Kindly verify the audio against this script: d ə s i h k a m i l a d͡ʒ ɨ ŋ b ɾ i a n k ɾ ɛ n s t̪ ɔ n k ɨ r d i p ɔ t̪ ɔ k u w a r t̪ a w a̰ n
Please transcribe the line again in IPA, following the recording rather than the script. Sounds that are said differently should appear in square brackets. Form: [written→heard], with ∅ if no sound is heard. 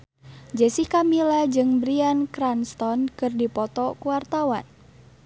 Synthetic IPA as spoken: [d→d͡ʒ] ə s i h k a m i l a d͡ʒ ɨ ŋ b ɾ i a n k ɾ [ɛ→a] n s t̪ ɔ n k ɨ r d i p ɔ t̪ ɔ k u w a r t̪ a w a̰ n